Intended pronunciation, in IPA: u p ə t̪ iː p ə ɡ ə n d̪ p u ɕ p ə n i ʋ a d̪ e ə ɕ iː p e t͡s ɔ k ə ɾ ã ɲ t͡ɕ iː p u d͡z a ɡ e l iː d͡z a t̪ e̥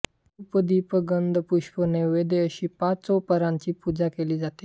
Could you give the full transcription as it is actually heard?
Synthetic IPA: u p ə d̪ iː p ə ɡ ə n d̪ p u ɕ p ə n e ʋ e d̪ e ə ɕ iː p a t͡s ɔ p ə ɾ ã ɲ t͡ɕ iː p u d͡z a k e l iː d͡z a t̪ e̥